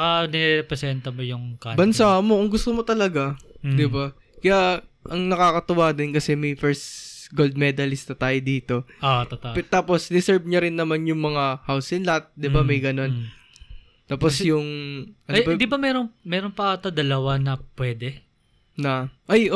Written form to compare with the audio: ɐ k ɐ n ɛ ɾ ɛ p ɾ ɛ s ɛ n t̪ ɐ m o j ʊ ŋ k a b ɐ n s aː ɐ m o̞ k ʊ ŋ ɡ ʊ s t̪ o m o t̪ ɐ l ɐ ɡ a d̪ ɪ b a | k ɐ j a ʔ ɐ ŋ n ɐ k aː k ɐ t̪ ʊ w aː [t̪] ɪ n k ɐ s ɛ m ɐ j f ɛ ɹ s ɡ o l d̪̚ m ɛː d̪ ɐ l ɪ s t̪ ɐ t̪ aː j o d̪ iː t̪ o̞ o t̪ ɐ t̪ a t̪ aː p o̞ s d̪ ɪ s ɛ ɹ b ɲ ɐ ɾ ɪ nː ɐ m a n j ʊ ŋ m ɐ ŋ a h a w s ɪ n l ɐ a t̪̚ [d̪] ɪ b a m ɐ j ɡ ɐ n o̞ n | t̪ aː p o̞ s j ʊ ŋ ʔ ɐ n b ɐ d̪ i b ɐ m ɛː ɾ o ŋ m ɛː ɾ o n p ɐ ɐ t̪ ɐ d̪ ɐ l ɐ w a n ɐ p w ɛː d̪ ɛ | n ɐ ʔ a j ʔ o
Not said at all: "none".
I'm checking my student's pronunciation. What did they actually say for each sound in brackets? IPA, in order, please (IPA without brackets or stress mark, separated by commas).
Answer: d̪, d̪